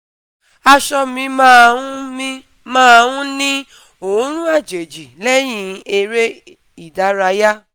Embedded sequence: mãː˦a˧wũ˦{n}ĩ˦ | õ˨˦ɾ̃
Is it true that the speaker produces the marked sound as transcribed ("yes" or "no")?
yes